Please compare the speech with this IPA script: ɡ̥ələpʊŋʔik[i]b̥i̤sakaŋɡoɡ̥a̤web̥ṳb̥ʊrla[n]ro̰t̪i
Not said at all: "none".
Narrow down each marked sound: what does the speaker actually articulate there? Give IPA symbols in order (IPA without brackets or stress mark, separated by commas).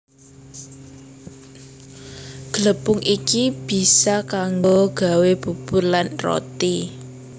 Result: i, n